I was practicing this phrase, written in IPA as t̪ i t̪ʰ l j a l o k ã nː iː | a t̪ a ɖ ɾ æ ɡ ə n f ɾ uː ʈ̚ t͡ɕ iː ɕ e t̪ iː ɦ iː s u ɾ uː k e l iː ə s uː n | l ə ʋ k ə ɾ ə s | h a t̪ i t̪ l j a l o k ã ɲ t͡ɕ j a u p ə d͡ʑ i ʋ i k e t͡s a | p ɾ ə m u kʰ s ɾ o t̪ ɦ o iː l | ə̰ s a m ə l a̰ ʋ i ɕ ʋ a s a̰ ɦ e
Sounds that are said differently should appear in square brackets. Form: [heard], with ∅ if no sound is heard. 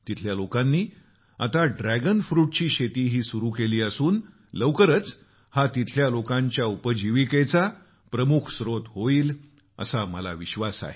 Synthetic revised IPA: t̪ i t̪ʰ l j a l o k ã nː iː | a t̪ a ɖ ɾ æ ɡ ə n f ɾ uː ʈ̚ t͡ɕ iː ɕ e t̪ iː ɦ iː s u ɾ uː k e l iː ə s uː n | l ə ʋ k ə ɾ ə [t͡s] | h a t̪ i [t̪ʰ] l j a l o k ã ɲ t͡ɕ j a u p ə d͡ʑ i ʋ i k e t͡s a | p ɾ ə m u kʰ s ɾ o t̪ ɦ o iː l | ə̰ s a m ə l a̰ ʋ i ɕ ʋ a s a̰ ɦ e

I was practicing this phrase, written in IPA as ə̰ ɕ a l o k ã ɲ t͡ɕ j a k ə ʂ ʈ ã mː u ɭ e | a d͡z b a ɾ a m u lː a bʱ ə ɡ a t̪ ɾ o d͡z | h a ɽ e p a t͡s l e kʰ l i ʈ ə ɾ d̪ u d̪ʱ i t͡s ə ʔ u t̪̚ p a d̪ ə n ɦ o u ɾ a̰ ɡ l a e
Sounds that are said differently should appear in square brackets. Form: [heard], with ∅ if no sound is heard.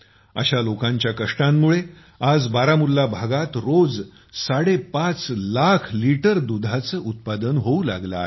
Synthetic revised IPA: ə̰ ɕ a l o k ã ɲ t͡ɕ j a k ə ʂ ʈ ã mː u ɭ e | a d͡z b a ɾ a m u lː a bʱ [a] ɡ a t̪ ɾ o d͡z | [s] a ɽ e p a t͡s l [a] kʰ l i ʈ ə ɾ d̪ u d̪ʱ [a] t͡s ə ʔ u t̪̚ p a d̪ ə n ɦ o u [l] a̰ ɡ l a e

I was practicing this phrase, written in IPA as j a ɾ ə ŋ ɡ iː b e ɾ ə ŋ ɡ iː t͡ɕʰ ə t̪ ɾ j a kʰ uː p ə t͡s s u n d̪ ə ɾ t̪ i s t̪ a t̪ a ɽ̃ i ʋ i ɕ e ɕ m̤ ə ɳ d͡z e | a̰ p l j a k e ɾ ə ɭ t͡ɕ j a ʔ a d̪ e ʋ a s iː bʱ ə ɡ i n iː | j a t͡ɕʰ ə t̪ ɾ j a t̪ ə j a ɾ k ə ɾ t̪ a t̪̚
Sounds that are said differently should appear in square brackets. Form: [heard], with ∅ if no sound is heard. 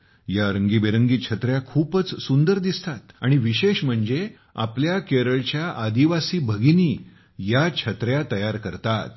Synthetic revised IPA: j a ɾ ə ŋ ɡ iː b e ɾ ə ŋ ɡ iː t͡ɕʰ ə t̪ ɾ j a kʰ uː p ə t͡s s u n d̪ ə ɾ [d̪] i s t̪ a t̪ a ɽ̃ i ʋ i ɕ e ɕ m̤ ə ɳ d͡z e | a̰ p l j a k e ɾ ə ɭ t͡ɕ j a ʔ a d̪ [i] ʋ a s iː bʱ ə ɡ i n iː | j a t͡ɕʰ ə t̪ ɾ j a t̪ ə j a ɾ k ə ɾ t̪ a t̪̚

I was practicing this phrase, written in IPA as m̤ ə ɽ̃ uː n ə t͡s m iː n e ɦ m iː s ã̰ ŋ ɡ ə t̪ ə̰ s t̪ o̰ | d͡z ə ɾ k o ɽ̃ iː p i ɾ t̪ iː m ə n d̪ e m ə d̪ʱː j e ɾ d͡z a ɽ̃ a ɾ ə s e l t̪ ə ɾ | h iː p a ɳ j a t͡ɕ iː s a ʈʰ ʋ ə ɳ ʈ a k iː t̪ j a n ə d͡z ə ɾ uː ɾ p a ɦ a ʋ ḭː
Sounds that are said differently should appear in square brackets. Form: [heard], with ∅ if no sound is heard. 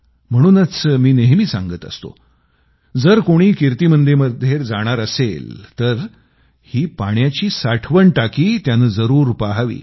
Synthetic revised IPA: m̤ ə ɽ̃ uː n ə t͡s m iː n e ɦ m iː s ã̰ ŋ ɡ ə t̪ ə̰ s t̪ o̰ | d͡z ə ɾ k o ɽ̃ iː [k] i ɾ t̪ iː m ə n d̪ e m ə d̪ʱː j e ɾ d͡z a ɽ̃ a ɾ ə s e l t̪ ə ɾ | h iː p a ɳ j a t͡ɕ iː s a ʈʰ ʋ ə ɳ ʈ a k iː t̪ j a n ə d͡z ə ɾ uː ɾ p a ɦ a ʋ ḭː

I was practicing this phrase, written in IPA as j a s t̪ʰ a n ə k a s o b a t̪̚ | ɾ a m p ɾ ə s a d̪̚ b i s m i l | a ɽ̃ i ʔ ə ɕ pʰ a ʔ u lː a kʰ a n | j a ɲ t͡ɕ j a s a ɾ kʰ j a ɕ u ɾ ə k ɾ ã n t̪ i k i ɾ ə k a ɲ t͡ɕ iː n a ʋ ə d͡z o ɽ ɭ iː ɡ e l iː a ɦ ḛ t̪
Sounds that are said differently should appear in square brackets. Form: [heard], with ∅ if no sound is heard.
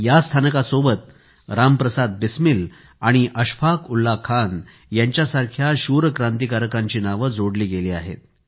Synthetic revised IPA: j a s t̪ʰ a n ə k a s o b [ə] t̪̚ | ɾ a m p ɾ ə s a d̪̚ b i s m i l | a ɽ̃ i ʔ ə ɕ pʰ a [k] u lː a kʰ a n | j a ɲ t͡ɕ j a s a ɾ kʰ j a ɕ u ɾ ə k ɾ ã n t̪ i k [a] ɾ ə k a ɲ t͡ɕ iː n a ʋ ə d͡z o ɽ [l] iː ɡ e l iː a ɦ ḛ t̪

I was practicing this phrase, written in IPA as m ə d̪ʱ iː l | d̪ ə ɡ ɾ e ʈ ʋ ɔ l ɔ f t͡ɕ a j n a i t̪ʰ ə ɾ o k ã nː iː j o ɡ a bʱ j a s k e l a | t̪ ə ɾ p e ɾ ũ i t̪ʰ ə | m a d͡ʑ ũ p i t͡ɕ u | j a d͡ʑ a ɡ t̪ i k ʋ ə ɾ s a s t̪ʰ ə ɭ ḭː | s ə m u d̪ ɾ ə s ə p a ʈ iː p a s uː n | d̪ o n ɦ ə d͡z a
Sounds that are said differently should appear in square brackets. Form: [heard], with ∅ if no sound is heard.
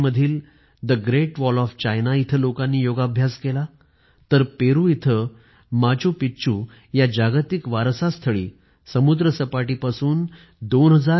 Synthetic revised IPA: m ə d̪ʱ iː l | d̪ ə ɡ ɾ e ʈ ʋ ɔ l ɔ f t͡ɕ a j n a i t̪ʰ ə [l] o k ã nː iː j o ɡ a bʱ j a s k e l a | t̪ ə ɾ p e ɾ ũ i t̪ʰ ə | m a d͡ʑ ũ p i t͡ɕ u | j a d͡ʑ a ɡ t̪ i k ʋ [a] ɾ s a s t̪ʰ ə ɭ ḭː | s ə m u d̪ ɾ ə s ə p a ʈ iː p a s uː n | d̪ o n ɦ ə d͡z a

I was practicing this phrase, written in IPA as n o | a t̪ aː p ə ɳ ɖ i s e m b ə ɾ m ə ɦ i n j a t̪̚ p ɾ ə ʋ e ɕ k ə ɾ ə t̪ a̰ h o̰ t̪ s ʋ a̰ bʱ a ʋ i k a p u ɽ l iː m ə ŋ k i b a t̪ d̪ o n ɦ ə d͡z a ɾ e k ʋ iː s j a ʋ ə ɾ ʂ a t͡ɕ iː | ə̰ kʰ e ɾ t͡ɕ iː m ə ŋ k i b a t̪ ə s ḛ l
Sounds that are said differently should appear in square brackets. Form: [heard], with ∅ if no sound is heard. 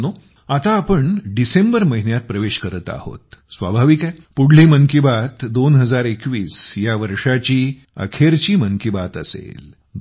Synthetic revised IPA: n o | a t̪ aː p ə ɳ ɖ i s e m b ə ɾ m ə ɦ i n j a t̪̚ p ɾ ə ʋ e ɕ k ə ɾ ə t̪ a̰ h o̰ t̪ s ʋ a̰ bʱ a ʋ i k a p u ɽ l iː m ə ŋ k i b a t̪ d̪ o n ɦ ə d͡z a ɾ e k ʋ iː s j a ʋ ə ɾ ʂ a t͡ɕ iː | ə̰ kʰ e ɾ t͡ɕ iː m ə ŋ k i b a t̪ ə s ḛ l

